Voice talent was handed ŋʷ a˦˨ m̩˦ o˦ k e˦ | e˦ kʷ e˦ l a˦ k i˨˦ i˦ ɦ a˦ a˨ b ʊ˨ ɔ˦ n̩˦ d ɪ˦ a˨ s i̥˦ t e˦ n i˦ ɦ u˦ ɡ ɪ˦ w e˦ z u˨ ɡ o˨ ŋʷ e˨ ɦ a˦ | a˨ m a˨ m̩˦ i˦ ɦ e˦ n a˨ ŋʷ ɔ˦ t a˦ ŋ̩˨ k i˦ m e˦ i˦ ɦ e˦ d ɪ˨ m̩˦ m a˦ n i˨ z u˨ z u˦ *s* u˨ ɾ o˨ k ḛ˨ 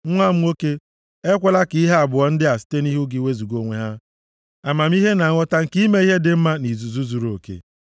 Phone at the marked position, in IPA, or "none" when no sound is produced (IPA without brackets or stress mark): z